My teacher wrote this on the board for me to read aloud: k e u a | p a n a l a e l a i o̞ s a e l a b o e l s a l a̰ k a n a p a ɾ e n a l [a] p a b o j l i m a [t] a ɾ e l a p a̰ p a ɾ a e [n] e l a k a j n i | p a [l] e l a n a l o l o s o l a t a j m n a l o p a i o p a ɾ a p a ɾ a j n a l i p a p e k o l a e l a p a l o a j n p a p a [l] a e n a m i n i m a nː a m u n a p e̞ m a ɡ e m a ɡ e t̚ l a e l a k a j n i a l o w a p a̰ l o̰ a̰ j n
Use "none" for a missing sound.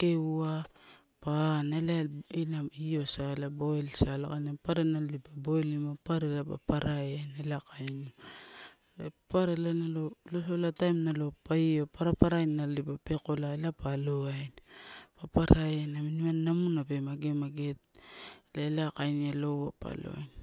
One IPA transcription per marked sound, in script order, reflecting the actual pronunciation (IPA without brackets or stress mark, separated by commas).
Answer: i, p, n, ɾ, ɾ